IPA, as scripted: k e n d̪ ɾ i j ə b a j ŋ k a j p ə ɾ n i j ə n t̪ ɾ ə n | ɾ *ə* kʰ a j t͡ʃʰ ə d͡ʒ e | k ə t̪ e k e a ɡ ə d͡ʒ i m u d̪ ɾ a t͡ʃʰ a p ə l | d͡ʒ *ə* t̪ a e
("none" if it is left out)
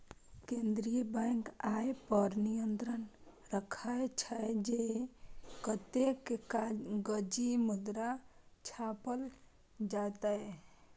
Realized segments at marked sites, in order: ə, a

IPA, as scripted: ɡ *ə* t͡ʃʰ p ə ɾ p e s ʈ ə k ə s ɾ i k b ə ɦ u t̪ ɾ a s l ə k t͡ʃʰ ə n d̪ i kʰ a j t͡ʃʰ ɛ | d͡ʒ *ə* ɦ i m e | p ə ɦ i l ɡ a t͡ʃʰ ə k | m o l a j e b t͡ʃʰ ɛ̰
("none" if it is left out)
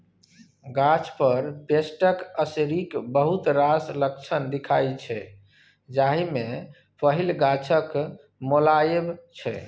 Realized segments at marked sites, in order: a, a

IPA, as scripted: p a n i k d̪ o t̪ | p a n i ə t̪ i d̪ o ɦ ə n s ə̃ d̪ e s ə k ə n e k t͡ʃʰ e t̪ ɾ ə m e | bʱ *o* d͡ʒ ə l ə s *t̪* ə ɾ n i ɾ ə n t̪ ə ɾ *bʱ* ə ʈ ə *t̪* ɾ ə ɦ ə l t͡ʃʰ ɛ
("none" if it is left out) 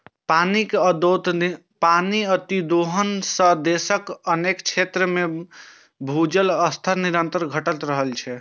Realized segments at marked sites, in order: u, t̪ʰ, ɡʱ, t̪

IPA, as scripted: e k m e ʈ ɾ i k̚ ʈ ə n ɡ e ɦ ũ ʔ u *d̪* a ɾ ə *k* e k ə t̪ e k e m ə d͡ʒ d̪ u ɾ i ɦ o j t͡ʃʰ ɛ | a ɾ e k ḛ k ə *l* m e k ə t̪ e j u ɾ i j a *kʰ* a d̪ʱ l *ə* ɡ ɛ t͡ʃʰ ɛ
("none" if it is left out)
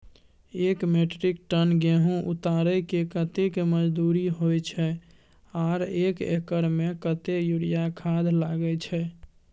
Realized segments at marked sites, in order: t̪, k, ɾ, kʰ, a

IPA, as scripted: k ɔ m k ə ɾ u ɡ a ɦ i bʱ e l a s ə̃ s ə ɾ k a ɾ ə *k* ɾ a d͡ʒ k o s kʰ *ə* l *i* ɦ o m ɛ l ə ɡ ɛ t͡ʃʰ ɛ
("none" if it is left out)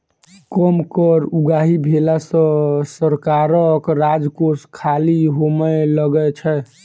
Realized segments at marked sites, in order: k, a, i

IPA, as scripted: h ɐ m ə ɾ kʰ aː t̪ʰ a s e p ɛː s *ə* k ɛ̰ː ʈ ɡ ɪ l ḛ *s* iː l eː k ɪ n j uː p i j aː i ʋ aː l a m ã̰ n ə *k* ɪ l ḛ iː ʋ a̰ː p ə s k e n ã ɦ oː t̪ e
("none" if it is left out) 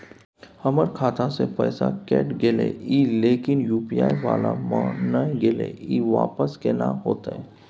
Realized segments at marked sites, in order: a, none, ɡ

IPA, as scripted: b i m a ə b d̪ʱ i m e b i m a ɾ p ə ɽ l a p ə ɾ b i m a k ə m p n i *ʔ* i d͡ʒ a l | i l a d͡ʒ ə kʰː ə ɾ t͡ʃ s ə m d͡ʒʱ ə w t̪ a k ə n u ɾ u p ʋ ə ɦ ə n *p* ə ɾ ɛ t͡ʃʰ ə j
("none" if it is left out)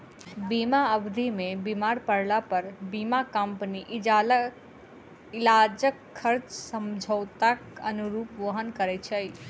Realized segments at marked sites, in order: ʔ, k

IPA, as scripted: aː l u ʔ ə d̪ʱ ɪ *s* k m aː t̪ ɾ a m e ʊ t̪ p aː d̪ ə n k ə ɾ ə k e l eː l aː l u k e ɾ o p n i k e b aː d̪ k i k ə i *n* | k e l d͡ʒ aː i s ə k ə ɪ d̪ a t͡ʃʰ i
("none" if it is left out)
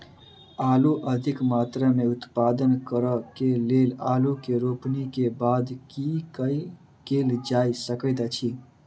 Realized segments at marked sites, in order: none, none

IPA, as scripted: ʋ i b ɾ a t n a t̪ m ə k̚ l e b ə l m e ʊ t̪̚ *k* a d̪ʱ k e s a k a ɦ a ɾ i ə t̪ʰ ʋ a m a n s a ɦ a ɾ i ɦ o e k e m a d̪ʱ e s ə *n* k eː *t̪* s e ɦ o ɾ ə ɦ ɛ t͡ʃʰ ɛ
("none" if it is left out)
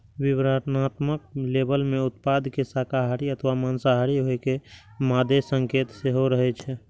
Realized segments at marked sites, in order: p, ŋ, t̪

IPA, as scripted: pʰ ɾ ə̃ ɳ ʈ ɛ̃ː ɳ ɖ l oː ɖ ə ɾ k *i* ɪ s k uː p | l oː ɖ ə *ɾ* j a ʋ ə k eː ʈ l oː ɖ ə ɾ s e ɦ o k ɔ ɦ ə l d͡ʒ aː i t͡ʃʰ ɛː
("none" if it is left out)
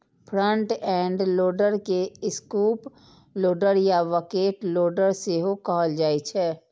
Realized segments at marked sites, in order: e, ɾ

